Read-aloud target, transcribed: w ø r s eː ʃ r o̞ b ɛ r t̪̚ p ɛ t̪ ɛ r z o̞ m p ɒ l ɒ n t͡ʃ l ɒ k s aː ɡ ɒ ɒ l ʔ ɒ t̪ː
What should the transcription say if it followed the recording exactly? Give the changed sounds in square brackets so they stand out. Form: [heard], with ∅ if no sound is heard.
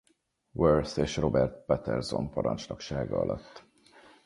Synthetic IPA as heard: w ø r s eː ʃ r o̞ b ɛ r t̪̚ p ɛ t̪ ɛ r z o̞ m p ɒ [ɾ] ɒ n t͡ʃ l ɒ k [ʃ] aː ɡ ɒ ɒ l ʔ ɒ t̪ː